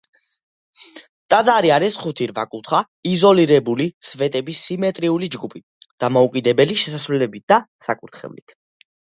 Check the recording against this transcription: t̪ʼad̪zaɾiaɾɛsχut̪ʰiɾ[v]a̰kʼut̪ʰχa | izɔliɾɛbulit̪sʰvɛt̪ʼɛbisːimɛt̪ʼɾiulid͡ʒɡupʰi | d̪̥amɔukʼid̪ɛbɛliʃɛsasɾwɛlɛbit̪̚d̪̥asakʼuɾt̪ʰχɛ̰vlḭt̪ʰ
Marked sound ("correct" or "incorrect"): correct